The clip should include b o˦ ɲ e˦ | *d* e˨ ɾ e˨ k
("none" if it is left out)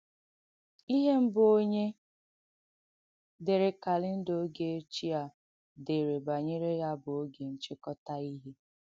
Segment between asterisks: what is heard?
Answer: d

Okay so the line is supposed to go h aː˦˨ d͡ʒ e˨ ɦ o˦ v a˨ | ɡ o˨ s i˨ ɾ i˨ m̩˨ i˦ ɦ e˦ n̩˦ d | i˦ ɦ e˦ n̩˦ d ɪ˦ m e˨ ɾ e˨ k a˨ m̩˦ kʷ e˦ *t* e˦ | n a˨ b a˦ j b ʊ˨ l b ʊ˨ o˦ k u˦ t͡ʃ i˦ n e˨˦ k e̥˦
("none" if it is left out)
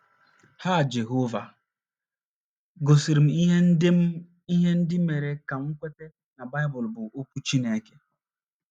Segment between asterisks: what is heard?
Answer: t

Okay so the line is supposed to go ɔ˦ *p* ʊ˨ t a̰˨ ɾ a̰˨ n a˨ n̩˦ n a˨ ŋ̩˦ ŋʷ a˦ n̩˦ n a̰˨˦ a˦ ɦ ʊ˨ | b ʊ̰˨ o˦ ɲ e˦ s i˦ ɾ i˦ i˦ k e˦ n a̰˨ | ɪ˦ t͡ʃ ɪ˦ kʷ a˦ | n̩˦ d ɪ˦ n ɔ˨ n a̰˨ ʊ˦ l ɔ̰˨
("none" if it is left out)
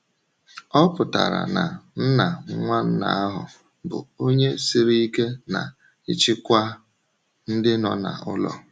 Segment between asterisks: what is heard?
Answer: p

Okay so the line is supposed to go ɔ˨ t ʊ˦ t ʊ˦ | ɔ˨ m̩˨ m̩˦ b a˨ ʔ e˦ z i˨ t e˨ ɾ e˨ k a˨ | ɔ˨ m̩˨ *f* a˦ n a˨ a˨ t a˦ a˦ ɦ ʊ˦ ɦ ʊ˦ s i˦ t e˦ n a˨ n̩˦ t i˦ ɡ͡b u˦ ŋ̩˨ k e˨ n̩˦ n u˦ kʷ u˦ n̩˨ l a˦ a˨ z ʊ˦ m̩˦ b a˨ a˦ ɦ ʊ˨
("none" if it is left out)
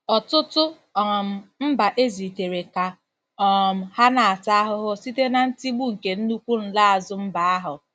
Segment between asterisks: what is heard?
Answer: h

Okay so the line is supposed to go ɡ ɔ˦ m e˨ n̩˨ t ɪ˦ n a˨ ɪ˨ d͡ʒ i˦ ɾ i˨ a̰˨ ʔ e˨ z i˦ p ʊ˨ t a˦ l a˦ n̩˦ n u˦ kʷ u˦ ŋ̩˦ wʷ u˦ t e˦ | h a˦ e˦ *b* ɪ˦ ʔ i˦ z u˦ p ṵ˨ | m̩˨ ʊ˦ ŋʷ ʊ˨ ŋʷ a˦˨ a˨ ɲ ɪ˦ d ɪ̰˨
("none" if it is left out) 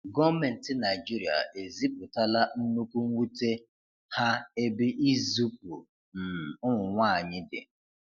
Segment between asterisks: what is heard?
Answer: b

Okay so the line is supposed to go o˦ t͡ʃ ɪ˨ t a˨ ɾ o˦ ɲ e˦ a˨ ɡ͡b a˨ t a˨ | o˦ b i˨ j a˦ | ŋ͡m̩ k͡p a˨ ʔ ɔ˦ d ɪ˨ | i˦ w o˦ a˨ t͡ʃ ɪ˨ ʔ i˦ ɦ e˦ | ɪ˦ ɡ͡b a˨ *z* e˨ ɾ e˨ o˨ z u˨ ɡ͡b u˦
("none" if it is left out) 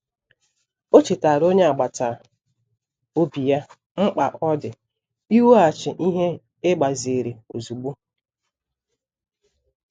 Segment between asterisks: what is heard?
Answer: z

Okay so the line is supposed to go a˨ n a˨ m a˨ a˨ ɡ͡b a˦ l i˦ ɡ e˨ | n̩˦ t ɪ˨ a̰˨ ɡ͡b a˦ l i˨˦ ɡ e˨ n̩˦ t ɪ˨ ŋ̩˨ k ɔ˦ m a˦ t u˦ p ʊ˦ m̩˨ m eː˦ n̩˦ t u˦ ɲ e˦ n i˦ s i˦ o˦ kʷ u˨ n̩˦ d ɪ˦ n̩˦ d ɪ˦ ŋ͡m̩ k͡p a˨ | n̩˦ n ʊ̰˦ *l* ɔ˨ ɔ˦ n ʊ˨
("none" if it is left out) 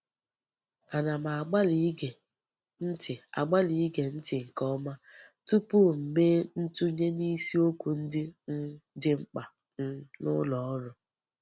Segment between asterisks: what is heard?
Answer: l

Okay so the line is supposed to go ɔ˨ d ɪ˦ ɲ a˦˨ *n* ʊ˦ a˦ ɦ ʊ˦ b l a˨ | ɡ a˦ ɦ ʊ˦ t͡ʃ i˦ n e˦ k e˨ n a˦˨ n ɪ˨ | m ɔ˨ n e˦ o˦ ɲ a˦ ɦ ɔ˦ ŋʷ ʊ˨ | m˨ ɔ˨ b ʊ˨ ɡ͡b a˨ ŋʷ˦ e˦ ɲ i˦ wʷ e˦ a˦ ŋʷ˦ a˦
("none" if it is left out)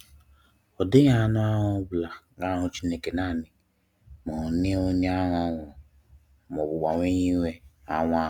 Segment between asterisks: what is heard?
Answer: n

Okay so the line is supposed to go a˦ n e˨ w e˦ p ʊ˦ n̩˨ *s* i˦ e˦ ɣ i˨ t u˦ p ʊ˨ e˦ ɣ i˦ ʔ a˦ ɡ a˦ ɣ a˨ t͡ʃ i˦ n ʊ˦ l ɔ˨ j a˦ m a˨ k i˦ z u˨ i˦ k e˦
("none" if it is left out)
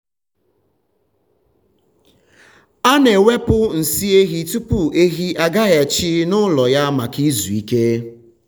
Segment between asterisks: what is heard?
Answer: s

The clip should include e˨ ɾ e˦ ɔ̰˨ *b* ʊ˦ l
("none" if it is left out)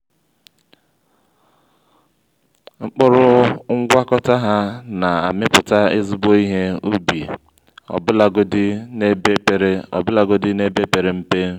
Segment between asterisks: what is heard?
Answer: b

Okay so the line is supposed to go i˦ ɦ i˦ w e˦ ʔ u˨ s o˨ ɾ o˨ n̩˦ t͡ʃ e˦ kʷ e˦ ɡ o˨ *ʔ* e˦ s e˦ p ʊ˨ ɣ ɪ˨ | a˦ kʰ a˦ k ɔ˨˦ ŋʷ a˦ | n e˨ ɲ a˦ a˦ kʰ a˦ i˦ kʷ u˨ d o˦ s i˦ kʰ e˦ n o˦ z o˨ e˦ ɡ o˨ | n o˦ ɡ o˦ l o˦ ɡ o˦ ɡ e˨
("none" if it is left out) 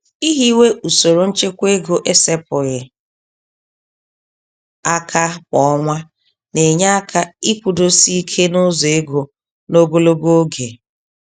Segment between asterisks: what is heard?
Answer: ʔ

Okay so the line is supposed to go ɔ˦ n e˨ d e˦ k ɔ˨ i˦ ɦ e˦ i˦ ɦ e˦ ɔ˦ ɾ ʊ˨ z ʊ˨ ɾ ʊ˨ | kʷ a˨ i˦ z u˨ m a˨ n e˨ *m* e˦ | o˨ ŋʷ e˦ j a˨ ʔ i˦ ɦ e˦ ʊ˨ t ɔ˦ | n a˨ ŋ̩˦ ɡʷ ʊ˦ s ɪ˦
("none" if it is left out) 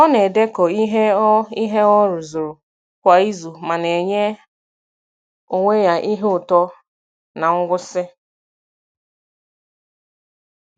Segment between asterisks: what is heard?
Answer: ɲ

